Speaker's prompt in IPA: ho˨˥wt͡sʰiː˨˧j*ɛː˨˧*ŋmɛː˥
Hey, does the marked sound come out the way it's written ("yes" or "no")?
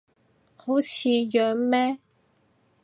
no